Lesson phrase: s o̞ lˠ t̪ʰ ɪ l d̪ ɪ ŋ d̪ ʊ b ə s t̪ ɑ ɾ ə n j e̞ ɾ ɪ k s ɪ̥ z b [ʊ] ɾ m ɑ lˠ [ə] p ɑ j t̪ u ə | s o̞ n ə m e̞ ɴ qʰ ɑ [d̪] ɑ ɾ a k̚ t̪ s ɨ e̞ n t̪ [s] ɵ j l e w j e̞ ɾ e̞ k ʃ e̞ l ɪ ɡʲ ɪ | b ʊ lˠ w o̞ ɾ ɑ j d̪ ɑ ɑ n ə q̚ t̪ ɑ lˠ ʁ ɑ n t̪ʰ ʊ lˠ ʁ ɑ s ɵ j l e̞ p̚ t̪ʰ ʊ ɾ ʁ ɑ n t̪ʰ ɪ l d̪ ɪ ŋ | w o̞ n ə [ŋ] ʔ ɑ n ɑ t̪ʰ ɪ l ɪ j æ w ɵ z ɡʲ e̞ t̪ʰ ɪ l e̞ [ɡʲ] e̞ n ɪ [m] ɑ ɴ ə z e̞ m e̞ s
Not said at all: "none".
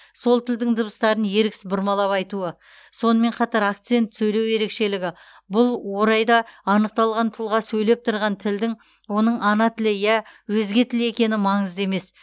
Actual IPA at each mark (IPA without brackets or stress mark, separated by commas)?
ʊ, ɑ, t̪, s, ɴ, kʲ, m